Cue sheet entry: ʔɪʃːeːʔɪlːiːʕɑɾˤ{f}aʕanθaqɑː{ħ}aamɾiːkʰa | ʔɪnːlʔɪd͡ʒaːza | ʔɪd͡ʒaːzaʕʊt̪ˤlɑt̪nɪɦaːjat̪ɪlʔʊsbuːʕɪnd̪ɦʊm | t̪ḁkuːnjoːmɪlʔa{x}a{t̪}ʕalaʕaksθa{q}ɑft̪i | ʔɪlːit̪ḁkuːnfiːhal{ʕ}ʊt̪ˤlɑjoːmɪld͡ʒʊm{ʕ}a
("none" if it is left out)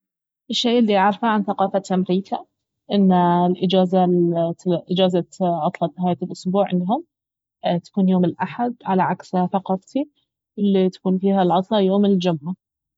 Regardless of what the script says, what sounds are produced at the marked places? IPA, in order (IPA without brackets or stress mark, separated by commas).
f, f, ħ, d̪, q, ʕ, ʕ